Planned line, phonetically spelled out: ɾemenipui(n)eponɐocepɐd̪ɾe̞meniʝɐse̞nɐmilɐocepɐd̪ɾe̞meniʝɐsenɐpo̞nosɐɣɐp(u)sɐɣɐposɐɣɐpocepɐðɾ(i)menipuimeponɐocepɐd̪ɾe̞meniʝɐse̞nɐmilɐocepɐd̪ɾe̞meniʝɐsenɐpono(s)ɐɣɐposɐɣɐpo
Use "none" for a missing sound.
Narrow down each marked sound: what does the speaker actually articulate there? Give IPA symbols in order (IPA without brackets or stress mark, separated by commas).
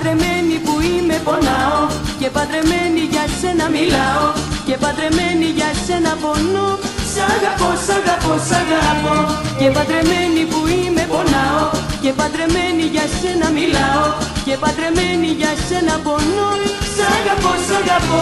m, o, e, s